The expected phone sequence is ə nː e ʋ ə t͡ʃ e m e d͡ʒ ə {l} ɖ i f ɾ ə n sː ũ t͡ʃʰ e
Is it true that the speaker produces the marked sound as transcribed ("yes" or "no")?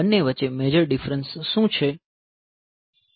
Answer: no